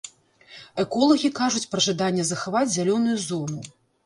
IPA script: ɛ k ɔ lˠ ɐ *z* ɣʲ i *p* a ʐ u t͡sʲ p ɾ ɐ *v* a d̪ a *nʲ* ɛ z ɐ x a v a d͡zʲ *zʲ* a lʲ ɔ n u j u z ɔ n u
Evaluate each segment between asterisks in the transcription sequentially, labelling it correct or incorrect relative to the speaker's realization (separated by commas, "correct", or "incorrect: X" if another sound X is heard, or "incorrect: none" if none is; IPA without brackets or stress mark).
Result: incorrect: none, incorrect: k, incorrect: ʐ, incorrect: nʲː, correct